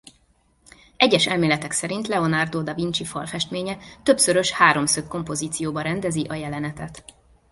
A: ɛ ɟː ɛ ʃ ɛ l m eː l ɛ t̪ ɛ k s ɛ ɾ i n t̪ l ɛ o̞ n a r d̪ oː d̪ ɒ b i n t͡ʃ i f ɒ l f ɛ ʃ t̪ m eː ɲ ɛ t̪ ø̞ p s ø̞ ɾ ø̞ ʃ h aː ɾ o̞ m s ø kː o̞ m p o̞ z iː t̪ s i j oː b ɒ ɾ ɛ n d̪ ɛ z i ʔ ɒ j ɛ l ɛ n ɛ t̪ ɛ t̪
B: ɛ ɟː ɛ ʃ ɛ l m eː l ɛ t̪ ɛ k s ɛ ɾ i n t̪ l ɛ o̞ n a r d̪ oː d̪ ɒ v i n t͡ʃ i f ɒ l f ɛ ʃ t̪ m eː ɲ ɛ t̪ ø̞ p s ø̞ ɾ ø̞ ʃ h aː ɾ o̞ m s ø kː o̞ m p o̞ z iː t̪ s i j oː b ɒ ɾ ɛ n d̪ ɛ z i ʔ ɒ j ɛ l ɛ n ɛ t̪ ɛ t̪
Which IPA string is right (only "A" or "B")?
B